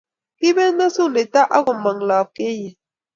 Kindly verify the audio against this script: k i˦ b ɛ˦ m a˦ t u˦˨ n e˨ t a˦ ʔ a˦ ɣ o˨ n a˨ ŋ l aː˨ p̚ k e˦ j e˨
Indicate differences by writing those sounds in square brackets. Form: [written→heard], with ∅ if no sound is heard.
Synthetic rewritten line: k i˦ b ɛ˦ [m→n] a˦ [t→s] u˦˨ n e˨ t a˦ ʔ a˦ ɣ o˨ [n→m] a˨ ŋ l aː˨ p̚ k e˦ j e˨